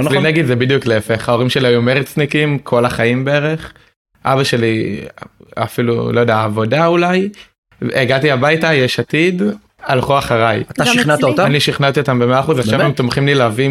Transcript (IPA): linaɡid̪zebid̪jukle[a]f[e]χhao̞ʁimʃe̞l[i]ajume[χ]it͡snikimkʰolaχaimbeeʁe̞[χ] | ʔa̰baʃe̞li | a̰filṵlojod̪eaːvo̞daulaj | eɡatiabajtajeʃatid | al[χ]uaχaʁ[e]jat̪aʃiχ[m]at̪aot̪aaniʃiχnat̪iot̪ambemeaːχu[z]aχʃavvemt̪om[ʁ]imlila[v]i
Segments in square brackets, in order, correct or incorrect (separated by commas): incorrect, correct, correct, incorrect, correct, correct, incorrect, incorrect, correct, incorrect, correct